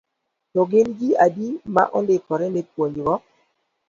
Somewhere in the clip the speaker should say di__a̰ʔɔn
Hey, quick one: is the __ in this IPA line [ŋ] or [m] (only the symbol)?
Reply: m